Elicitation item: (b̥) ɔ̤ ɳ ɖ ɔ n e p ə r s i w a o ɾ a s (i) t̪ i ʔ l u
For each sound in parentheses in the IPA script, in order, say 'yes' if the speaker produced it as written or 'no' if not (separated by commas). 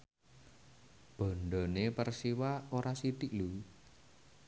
yes, yes